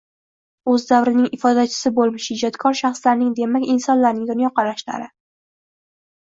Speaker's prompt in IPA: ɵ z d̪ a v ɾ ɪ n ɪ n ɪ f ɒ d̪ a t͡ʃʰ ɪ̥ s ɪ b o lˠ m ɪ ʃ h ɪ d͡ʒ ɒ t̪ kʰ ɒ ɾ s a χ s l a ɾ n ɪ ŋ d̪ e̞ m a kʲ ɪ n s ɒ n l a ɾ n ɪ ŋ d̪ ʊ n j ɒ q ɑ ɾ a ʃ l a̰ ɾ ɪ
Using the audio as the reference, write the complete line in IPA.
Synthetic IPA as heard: ɵ z d̪ a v ɾ ɪ n ɪ ŋ ɪ f ɒ d̪ a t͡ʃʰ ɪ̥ s ɪ b o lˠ m ɪ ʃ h ɪ d͡ʒ ɒ t̪ kʰ ɒ ɾ ʃ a χ s l a ɾ n ɪ ŋ d̪ e̞ m a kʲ ɪ n s ɒ n l a ɾ n ɪ ŋ d̪ ʊ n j ɒ q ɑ ɾ a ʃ l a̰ ɾ ɪ

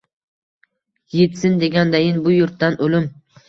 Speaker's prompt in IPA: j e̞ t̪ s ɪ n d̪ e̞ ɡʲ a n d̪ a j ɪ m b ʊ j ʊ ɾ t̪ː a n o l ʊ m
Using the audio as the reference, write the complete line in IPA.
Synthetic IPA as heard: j e̞ t̪ s ɪ n d̪ e̞ ɡʲ a n d̪ a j ɪ n b ʊ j ʊ ɾ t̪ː a n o l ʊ m

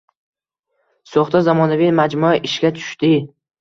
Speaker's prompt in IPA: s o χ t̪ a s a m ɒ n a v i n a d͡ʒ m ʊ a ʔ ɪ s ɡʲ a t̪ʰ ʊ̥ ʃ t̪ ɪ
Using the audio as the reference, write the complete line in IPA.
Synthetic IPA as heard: s o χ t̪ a z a m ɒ n a v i m a d͡ʒ m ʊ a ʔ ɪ ʃ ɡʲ a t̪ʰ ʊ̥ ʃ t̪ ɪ

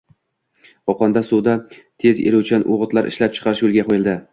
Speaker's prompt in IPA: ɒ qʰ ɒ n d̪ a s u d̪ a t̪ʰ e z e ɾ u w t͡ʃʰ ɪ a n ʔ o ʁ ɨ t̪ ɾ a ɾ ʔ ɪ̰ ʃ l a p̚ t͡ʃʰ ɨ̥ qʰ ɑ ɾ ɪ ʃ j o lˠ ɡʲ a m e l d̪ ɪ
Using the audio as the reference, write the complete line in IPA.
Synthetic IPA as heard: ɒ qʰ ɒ n d̪ a s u d̪ a t̪ʰ e z e ɾ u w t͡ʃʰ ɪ a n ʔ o ʁ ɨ t̪ l a ɾ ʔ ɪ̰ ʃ l a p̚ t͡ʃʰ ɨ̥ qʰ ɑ ɾ ɪ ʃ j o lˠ ɡʲ a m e l d̪ ɪ

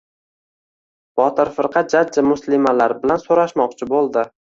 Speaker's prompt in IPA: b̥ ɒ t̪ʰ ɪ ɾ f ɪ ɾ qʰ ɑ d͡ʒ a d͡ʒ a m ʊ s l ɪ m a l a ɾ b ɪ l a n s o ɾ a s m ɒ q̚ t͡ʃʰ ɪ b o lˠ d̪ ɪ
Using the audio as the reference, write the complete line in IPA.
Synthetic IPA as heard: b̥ ɒ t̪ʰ ɪ ɾ f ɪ ɾ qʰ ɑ d͡ʒ a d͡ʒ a m ʊ s l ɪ m a l a ɾ b ɪ l a n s o ɾ a ʃ m ɒ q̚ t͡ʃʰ ɪ b o lˠ d̪ ɪ

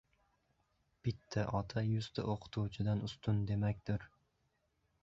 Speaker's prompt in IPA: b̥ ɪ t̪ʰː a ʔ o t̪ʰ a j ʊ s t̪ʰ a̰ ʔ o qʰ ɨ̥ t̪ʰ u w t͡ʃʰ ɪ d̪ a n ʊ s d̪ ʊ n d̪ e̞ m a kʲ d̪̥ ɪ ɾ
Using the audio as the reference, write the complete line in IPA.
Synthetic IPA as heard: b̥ ɪ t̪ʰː a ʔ ɒ t̪ʰ a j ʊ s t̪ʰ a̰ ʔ o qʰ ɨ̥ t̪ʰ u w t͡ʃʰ ɪ d̪ a n ʊ s t̪ ʊ n d̪ e̞ m a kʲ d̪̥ ɪ ɾ

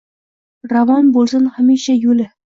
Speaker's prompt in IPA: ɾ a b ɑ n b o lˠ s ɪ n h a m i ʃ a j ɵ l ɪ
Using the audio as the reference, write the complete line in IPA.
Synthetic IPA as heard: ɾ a v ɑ n b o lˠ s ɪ n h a m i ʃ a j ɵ l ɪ

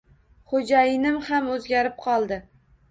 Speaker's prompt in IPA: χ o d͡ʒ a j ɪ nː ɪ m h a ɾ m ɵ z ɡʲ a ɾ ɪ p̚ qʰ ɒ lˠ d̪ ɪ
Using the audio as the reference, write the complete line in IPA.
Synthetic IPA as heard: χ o d͡ʒ a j ɪ n ɪ m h a m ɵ z ɡʲ a ɾ ɪ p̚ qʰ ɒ lˠ d̪ ɪ

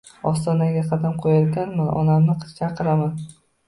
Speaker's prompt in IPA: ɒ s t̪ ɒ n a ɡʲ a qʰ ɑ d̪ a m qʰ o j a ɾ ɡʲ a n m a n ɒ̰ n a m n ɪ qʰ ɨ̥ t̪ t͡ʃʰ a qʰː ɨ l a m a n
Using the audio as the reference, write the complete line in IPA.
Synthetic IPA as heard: ɒ s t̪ ɒ n a ɡʲ a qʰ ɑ d̪ a m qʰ o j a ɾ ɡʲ a n m a n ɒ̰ n a m n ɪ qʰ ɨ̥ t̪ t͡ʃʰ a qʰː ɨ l a m a n

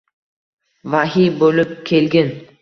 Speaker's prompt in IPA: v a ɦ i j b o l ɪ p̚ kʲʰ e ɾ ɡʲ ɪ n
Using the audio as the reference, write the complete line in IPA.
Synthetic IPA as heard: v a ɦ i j b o l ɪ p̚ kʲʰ e l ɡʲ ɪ n

